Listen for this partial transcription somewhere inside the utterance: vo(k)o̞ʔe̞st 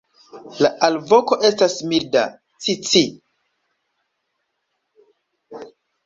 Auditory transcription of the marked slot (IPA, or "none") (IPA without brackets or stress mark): k